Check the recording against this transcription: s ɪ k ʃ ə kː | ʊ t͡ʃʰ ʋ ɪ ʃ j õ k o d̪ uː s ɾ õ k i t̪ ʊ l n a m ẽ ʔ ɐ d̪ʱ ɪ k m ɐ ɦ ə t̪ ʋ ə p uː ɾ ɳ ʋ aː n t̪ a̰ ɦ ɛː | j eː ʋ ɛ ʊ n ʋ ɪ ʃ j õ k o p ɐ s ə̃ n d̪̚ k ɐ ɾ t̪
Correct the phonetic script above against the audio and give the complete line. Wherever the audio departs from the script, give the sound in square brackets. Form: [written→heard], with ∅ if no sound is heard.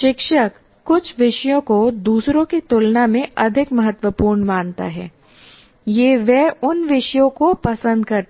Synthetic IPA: [s→ʃ] ɪ k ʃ ə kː | ʊ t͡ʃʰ ʋ ɪ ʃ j õ k o d̪ uː s ɾ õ k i t̪ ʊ l n a m ẽ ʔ ɐ d̪ʱ ɪ k m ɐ ɦ ə t̪ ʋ ə p uː ɾ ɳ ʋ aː n t̪ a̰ ɦ ɛː | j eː ʋ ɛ ʊ n ʋ ɪ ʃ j õ k o p ɐ s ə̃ n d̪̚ k ɐ ɾ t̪